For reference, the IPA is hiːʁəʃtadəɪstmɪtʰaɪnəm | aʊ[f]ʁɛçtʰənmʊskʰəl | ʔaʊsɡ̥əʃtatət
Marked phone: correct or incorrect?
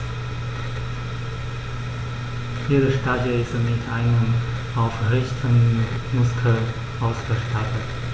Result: correct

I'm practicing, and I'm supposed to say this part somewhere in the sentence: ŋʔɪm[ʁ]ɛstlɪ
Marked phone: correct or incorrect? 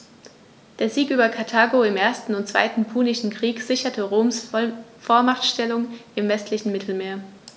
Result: incorrect: v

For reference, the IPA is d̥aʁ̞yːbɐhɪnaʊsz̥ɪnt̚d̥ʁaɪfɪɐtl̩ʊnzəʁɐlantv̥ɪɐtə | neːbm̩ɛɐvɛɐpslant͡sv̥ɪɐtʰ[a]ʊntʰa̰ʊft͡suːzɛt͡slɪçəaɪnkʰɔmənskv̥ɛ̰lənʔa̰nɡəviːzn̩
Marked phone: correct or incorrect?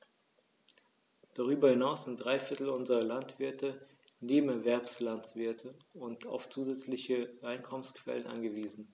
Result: incorrect: ə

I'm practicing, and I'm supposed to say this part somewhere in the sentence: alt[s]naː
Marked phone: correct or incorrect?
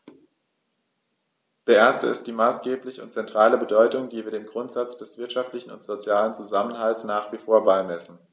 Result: correct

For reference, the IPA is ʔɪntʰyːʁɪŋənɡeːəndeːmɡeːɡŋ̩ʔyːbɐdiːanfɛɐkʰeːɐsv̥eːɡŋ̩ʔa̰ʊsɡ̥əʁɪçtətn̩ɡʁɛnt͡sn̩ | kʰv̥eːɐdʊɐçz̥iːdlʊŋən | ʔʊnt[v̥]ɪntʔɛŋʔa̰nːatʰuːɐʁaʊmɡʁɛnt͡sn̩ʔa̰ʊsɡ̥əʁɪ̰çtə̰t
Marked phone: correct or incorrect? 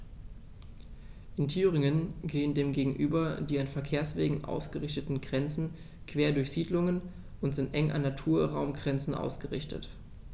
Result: incorrect: z̥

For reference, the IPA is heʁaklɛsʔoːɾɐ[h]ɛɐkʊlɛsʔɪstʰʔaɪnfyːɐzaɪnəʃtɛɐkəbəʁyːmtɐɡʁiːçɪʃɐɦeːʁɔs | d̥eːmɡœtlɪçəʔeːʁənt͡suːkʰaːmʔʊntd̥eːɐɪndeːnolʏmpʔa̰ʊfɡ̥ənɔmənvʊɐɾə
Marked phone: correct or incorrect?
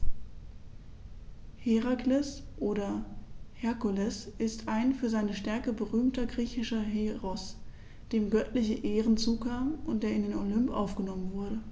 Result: correct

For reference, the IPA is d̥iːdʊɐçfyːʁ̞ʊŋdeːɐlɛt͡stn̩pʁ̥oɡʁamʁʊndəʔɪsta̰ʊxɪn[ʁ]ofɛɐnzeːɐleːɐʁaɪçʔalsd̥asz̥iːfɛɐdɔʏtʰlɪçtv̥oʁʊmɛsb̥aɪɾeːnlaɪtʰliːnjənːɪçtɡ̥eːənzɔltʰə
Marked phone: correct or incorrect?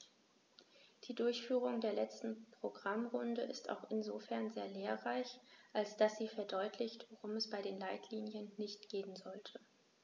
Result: incorrect: z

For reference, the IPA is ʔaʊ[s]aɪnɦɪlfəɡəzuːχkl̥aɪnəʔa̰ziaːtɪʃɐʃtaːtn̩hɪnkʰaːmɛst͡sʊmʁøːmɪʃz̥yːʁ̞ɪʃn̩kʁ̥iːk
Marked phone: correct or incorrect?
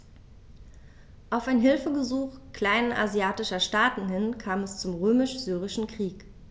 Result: incorrect: f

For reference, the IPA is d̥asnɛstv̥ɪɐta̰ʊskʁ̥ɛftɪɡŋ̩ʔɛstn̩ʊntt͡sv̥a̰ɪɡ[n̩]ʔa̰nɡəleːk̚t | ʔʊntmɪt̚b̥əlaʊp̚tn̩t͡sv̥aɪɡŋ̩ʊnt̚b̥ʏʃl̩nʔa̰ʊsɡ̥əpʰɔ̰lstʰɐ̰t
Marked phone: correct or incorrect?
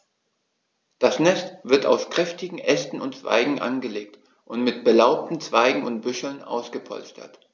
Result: incorrect: ŋ̩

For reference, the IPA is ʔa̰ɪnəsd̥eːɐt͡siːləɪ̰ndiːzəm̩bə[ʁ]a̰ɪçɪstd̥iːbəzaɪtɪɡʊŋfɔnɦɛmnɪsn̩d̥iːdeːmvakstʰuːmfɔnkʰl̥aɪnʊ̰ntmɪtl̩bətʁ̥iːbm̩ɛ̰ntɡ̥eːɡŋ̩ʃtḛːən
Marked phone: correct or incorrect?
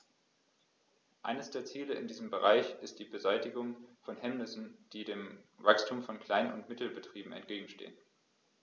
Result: correct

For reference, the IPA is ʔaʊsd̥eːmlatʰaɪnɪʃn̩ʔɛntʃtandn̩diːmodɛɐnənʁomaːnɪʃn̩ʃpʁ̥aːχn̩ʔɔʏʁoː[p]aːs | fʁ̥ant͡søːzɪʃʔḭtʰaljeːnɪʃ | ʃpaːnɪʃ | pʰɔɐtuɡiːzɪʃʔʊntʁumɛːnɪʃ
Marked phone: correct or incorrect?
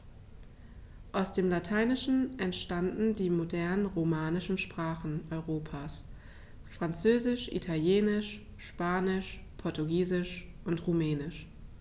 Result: incorrect: pʰ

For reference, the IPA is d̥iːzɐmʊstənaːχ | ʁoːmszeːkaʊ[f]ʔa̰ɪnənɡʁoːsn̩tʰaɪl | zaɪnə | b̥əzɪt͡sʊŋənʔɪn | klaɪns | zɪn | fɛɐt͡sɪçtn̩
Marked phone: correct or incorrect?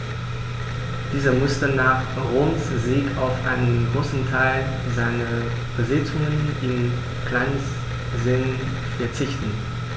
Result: correct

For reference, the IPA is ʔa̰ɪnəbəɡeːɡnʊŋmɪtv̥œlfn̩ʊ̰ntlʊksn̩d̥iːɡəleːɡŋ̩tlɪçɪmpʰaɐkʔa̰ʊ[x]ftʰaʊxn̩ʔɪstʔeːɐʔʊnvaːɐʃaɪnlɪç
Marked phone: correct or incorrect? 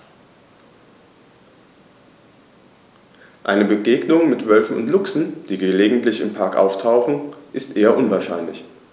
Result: incorrect: none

